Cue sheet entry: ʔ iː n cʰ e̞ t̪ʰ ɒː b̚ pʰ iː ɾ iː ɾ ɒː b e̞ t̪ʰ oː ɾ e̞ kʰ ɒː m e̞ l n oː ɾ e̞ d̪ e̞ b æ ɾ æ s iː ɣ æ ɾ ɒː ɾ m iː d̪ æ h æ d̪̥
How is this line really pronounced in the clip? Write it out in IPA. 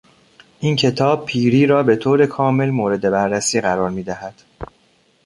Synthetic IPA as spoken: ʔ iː n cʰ e̞ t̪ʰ ɒː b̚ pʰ iː ɾ iː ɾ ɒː b e̞ t̪ʰ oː ɾ e̞ kʰ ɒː m e̞ l m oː ɾ e̞ d̪ e̞ b æ ɾː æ s iː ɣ æ ɾ ɒː ɾ m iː d̪ æ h æ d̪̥